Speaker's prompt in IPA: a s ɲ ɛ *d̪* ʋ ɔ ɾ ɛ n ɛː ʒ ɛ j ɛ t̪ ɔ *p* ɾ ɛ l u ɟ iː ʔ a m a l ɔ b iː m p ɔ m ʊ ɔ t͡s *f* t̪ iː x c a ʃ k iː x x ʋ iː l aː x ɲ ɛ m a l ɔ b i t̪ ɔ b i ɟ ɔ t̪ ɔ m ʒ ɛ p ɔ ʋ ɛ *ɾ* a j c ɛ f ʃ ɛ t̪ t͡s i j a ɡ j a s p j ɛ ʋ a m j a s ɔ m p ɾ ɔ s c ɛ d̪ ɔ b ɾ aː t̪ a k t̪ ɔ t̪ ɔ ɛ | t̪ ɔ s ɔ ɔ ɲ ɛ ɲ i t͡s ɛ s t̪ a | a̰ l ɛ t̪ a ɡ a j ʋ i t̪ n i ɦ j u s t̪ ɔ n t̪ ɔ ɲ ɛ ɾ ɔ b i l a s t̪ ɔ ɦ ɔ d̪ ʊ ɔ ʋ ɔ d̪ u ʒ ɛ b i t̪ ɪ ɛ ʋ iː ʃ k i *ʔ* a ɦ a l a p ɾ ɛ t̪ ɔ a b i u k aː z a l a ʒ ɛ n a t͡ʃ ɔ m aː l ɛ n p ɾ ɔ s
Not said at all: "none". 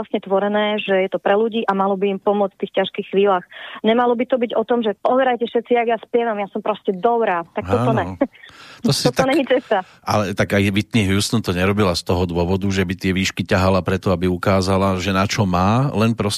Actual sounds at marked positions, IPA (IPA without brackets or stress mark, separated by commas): t̪, p, f, ɾ, c